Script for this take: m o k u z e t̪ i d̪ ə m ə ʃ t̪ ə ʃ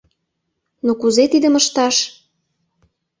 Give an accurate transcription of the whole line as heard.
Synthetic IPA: n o k u z e t̪ i d̪ ə m ə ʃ t̪ ɑ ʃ

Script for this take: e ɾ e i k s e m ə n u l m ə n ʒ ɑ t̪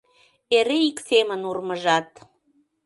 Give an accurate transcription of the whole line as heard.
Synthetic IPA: e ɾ e i k s e m ə n u r m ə ʒ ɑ t̪

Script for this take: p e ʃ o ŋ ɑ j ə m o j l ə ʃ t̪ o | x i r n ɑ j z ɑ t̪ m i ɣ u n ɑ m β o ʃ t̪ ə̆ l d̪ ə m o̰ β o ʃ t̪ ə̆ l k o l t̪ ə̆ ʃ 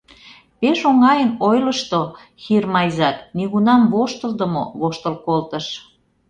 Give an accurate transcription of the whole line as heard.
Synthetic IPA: p e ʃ o ŋ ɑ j ə n o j l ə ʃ t̪ o | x i r m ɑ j z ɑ t̪ n i ɣ u n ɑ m β o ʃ t̪ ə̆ l d̪ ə m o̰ β o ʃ t̪ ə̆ l k o l t̪ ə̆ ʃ

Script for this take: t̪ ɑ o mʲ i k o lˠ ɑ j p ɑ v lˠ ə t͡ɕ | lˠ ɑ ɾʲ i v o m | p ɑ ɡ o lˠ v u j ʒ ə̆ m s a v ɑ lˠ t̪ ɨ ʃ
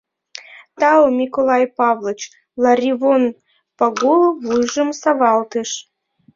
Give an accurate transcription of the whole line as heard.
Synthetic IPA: t̪ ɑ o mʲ i k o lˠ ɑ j p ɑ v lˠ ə t͡ɕ | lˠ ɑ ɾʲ i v o n | p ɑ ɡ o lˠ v u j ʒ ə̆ m s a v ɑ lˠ t̪ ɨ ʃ

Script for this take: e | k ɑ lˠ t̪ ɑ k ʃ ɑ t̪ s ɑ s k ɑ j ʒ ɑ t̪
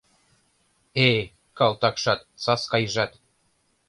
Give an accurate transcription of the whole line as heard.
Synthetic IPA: e | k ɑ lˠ t̪ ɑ k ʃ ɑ t̪ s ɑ s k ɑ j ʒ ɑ t̪

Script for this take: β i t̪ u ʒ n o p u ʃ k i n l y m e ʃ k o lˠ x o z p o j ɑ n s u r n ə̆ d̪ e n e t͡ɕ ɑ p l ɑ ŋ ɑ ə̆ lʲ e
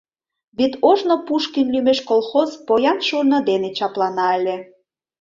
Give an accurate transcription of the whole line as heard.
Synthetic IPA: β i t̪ o ʒ n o p u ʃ k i n l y m e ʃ k o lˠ x o z p o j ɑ n ʃ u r n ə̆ d̪ e n e t͡ɕ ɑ p l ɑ n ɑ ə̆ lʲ e

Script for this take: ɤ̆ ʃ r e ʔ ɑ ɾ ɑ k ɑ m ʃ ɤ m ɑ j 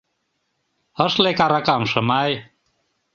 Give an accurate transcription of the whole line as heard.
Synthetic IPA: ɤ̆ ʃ l e k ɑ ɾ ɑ k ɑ m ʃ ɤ m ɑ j

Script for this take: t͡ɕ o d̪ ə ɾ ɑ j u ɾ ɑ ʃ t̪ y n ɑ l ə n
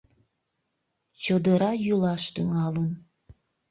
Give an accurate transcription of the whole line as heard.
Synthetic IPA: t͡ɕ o d̪ ə ɾ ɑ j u l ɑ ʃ t̪ y ŋ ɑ l ə n

